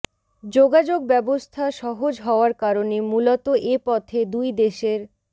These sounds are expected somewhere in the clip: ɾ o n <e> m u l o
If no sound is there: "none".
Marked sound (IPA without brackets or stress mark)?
e